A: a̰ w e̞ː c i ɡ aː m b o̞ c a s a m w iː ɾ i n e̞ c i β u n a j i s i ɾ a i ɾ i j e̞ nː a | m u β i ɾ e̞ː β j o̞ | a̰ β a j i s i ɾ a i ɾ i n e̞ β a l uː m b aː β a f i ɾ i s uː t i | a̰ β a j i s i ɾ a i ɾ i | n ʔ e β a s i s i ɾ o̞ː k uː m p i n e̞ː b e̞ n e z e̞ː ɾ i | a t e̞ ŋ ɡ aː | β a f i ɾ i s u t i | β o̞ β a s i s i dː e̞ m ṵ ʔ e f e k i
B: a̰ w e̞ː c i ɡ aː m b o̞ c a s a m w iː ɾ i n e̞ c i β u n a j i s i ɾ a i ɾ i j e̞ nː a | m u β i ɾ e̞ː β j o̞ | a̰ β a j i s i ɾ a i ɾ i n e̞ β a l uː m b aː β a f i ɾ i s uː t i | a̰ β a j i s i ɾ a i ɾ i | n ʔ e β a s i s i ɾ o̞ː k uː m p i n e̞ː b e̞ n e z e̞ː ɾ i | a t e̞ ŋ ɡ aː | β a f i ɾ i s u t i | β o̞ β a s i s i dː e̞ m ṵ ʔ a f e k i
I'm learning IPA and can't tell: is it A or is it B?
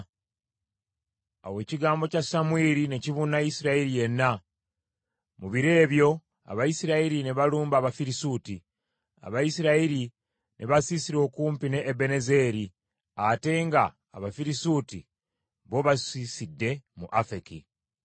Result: B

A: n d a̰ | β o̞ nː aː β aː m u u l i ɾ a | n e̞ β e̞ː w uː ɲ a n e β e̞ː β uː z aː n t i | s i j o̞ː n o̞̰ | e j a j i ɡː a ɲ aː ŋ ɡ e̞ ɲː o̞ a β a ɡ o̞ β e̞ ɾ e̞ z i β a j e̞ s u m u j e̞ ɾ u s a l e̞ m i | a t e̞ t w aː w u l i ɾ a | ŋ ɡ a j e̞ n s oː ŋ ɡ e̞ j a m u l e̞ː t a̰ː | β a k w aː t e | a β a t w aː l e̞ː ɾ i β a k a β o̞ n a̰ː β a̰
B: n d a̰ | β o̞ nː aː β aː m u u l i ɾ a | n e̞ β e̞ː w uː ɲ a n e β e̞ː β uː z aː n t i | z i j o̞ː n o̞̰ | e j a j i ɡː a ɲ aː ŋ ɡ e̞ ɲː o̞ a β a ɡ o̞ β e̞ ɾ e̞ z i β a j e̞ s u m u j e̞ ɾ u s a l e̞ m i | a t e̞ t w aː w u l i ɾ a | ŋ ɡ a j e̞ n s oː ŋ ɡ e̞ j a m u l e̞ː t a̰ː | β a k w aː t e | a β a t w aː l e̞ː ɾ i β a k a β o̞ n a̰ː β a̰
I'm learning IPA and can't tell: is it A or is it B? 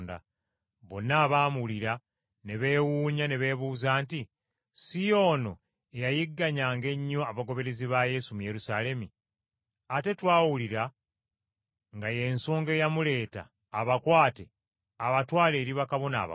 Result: A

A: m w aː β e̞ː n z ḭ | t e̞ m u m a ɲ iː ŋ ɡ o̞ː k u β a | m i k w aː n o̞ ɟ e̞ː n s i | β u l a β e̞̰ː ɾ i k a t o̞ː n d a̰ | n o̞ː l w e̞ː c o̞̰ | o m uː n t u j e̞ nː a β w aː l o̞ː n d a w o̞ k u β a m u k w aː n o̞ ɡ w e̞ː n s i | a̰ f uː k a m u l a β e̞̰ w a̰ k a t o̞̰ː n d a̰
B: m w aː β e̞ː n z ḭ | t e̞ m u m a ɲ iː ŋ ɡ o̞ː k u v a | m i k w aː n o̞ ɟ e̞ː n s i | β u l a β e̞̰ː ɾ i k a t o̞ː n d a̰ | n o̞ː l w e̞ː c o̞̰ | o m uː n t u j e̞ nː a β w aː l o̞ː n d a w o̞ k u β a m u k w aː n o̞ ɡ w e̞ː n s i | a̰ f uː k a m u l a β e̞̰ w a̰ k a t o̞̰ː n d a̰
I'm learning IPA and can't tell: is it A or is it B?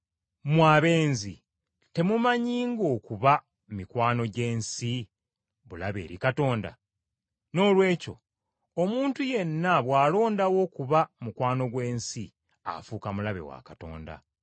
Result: A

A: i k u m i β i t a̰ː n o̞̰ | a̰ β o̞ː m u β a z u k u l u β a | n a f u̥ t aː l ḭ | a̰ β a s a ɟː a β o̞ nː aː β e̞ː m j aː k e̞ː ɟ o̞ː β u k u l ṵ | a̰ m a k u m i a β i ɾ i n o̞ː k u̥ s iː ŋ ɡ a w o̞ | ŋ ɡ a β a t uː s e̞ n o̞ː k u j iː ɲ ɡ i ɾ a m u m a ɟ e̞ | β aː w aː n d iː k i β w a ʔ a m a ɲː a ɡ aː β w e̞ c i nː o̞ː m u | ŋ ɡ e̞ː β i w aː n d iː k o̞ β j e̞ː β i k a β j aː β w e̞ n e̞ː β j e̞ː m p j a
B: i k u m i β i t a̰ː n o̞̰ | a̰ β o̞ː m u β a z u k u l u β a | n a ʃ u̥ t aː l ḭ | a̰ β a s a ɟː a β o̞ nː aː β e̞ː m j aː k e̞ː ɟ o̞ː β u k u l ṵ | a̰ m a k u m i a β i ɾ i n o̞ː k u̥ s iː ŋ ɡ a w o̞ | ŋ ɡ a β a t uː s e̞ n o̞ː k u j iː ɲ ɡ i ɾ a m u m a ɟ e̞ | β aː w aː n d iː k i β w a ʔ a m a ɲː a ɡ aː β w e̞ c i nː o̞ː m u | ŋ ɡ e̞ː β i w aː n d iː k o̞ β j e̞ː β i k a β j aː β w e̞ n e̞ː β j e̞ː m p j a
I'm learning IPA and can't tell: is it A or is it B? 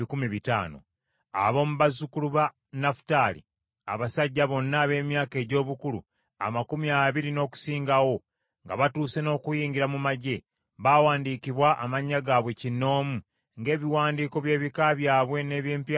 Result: A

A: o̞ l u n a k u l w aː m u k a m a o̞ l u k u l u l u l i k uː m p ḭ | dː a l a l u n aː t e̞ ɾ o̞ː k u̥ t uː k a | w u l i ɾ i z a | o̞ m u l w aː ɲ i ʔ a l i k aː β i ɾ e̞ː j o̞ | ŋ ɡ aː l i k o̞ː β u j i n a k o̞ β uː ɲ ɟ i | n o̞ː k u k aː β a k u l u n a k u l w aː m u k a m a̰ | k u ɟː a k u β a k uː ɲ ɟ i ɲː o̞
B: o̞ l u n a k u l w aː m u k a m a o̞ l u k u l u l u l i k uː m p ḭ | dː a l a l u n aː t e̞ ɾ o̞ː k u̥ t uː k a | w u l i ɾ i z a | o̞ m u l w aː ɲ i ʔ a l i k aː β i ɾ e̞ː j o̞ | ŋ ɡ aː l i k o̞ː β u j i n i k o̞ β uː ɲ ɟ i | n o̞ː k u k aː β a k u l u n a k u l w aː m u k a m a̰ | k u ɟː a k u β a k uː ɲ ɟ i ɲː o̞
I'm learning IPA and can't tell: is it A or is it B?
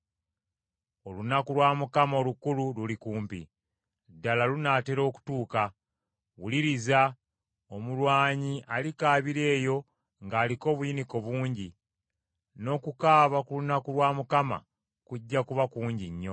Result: B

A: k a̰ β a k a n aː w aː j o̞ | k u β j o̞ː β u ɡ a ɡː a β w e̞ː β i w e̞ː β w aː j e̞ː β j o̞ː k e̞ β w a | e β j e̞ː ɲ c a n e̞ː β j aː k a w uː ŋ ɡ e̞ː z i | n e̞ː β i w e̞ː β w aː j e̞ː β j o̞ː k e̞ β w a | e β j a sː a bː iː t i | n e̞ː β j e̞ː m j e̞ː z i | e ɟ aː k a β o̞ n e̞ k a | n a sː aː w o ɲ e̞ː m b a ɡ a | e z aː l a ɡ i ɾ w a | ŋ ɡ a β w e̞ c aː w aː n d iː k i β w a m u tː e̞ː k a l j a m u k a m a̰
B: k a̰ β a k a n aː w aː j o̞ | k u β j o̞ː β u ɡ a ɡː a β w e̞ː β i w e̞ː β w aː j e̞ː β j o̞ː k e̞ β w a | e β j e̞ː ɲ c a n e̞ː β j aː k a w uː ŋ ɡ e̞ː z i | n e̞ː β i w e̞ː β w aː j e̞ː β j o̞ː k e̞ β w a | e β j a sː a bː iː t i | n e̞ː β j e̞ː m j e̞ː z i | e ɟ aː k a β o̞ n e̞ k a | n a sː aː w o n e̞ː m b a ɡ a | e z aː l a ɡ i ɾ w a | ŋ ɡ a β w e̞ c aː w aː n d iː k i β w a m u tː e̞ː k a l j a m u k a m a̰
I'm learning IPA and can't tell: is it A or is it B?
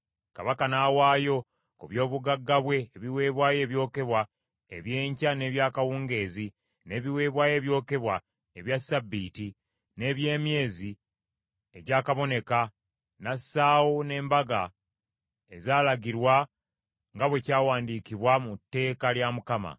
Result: B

